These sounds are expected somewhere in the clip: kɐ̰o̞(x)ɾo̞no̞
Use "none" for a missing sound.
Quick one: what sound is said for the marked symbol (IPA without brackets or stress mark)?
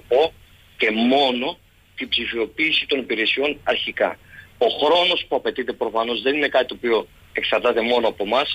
x